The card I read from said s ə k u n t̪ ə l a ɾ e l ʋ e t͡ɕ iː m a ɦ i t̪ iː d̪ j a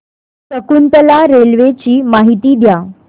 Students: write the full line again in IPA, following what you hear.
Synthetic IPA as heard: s ə k u n t̪ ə l a ɾ e l ʋ e t͡ɕ iː m a ɦ i t̪ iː d̪ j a